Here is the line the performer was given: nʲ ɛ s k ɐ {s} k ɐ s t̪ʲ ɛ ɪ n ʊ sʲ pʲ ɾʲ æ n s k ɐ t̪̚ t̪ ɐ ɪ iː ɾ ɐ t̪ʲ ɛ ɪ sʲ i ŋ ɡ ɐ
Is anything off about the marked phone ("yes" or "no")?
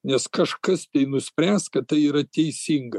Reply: yes